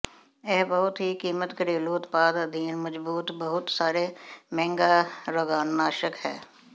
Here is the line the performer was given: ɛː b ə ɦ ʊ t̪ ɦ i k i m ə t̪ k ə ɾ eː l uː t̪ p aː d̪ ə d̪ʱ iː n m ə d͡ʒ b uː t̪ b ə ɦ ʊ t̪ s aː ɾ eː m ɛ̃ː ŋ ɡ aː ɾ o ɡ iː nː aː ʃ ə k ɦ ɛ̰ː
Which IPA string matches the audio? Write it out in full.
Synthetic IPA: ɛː b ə ɦ ʊ t̪ ɦ i k iː m ə t̪ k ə ɾ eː l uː t̪ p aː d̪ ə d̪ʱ iː n m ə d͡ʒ b uː t̪ b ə ɦ ʊ t̪ s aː ɾ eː m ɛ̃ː ŋ ɡ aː ɾ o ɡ aː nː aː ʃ ə k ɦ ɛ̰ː